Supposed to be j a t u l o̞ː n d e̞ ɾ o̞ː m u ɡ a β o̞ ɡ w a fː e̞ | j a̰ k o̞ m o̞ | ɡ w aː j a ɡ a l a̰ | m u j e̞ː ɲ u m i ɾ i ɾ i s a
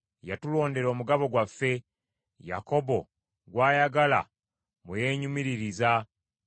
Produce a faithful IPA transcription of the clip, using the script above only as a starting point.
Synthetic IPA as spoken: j a t u l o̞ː n d e̞ ɾ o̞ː m u ɡ a β o̞ ɡ w a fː e̞ | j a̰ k o̞ b o̞ | ɡ w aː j a ɡ a l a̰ | m u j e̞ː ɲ u m i ɾ i ɾ i z a